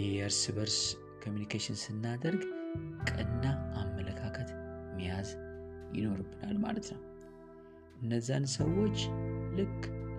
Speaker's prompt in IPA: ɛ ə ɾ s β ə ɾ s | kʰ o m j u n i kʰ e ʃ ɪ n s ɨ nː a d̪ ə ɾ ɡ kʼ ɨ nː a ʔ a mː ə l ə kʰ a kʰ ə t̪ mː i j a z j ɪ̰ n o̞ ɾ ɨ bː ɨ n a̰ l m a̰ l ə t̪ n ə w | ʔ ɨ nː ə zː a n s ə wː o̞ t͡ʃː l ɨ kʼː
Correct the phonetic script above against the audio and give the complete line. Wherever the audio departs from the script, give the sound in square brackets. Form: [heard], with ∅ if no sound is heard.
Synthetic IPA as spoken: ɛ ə ɾ s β ə ɾ s | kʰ o m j u n i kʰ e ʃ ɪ n s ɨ nː a d̪ ə ɾ ɡ kʼ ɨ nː a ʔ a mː ə l ə kʰ a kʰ ə t̪ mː i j a z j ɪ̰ n o̞ ɾ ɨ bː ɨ n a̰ l m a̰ l ə t̪ n ə w | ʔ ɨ nː ə zː a n s ə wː o̞ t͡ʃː l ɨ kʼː